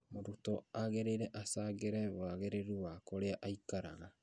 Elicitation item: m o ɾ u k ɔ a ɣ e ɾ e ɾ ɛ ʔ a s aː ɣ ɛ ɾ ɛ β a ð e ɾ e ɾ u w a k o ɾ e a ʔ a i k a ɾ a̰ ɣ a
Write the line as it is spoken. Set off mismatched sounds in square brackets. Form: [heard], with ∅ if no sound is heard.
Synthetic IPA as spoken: m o ɾ u [t] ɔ a ɣ e ɾ e ɾ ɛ ʔ a s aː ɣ [e] ɾ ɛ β a [ɣ] e ɾ e ɾ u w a k o ɾ e a ʔ a i k a ɾ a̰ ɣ a

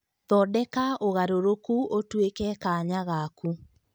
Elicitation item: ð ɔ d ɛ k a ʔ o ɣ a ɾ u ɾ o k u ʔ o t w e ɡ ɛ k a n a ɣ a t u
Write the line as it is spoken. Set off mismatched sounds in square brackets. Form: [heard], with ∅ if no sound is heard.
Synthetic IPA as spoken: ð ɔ d ɛ k a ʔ o ɣ a ɾ [o] ɾ o k u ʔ o t w e [k] ɛ k a [ɲ] a ɣ a [k] u

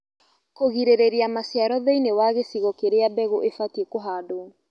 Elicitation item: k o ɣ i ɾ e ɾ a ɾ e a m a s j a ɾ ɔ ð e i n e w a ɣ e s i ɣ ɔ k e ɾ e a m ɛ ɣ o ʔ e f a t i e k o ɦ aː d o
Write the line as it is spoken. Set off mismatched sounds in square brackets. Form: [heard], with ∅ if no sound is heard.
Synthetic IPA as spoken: k o ɣ i ɾ e ɾ [e] ɾ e a m a s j a ɾ ɔ ð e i n e w a ɣ e s i ɣ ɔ k e ɾ e a [b] ɛ ɣ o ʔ e f a t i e k o ɦ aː d o

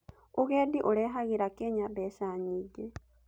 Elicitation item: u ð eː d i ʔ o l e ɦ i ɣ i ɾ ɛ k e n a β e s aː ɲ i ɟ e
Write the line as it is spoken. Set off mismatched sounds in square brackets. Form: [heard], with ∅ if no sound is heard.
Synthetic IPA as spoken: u [ɣ] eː d i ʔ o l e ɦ [a] ɣ i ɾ [a] k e [ɲ] a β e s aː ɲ i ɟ e

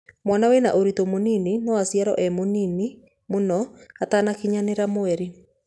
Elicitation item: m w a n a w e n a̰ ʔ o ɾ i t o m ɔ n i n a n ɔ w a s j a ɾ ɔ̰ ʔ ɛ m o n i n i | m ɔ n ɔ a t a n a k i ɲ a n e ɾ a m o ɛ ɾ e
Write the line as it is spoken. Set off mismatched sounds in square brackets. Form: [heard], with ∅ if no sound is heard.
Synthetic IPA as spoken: m w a n a w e n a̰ ʔ o ɾ i t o m [o] n i n [i] n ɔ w a s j a ɾ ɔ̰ ʔ ɛ m o n i n i | m [o] n ɔ a t a n a k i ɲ a n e ɾ a m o ɛ ɾ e

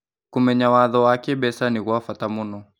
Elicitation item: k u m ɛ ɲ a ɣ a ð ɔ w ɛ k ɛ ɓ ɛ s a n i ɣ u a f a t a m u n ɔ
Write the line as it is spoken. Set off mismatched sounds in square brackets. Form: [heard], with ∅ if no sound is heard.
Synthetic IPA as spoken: k u m ɛ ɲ a [w] a ð ɔ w [a] k ɛ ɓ ɛ s a n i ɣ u a f a t a m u n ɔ

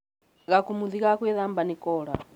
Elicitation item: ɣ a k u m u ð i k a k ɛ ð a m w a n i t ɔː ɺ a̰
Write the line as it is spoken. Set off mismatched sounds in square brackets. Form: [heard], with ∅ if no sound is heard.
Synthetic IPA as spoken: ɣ a k u m u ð i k a k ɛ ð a m [b] a n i [k] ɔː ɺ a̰

